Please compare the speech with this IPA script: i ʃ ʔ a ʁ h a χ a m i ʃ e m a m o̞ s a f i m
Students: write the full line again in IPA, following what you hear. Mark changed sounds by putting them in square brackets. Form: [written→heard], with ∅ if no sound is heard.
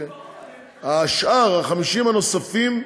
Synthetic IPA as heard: [i→a] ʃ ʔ a ʁ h a χ a m i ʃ [e→i] m a [m→n] o̞ s a f i m